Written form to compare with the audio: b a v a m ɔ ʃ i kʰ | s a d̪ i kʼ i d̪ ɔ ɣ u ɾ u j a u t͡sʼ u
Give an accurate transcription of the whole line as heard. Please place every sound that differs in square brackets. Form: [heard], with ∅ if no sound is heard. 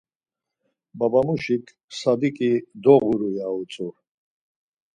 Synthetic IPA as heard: b a [b] a m [u] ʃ i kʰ | s a d̪ i kʼ i d̪ ɔ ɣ u ɾ u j a u t͡sʼ u